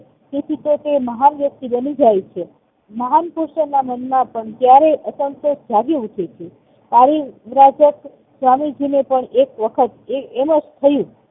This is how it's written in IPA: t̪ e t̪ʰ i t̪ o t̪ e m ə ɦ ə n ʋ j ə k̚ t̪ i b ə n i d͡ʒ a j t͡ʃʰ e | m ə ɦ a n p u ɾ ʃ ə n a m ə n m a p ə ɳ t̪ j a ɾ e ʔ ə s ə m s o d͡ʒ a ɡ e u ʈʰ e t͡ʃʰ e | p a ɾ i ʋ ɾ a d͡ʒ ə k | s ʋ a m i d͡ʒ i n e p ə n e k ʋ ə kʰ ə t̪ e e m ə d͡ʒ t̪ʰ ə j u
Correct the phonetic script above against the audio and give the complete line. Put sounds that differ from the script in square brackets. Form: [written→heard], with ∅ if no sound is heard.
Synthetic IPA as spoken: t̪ e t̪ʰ i t̪ o t̪ e m ə ɦ [ə→a] n ʋ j ə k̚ t̪ i b ə n i d͡ʒ a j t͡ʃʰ e | m ə ɦ a n p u ɾ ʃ ə n a m ə n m a p ə ɳ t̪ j a ɾ e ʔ ə s ə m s o d͡ʒ a ɡ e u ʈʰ e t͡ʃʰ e | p a ɾ i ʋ ɾ a d͡ʒ ə k | s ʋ a m i d͡ʒ i n e p ə [n→ɳ] e k ʋ ə kʰ ə t̪ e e m ə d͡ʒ t̪ʰ ə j [u→ũ]